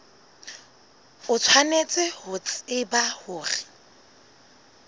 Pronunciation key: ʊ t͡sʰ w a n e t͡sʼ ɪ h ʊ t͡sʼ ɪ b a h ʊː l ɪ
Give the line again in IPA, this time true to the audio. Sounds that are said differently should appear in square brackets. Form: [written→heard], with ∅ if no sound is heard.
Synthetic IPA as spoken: ʊ t͡sʰ w a n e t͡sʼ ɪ h ʊ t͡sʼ ɪ b a h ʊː [l→r] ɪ

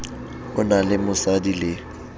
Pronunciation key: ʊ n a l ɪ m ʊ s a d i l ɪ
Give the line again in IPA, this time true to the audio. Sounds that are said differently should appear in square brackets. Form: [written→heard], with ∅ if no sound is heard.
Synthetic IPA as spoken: ʊ n a l ɪ m ʊ s a d i l ɪ

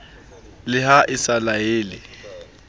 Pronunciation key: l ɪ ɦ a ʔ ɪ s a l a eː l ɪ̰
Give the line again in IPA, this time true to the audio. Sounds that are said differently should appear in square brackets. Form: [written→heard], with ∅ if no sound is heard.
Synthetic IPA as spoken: l ɪ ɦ a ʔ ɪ s a l a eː l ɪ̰

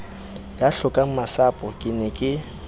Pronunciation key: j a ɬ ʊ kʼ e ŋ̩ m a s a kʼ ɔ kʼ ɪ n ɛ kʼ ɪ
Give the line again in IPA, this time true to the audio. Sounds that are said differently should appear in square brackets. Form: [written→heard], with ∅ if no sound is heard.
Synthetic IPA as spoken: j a ɬ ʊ kʼ [e→a] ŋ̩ m a s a [kʼ→pʼ] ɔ kʼ ɪ n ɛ kʼ ɪ

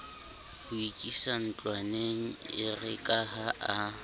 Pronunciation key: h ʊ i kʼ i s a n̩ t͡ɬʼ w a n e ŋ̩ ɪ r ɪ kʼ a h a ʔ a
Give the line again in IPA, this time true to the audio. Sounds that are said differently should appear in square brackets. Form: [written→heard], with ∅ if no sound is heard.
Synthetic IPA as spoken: h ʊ i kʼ i s a n̩ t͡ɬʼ w a n e ŋ̩ ɪ r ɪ kʼ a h a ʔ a

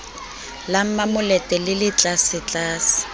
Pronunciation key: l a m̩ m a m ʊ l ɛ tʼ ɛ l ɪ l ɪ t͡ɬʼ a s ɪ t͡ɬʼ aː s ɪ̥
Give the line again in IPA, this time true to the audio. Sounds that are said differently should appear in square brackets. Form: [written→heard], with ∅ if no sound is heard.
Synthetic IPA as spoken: l a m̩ m a m ʊ l ɛ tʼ ɛ l ɪ l ɪ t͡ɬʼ a s ɪ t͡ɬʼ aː s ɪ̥

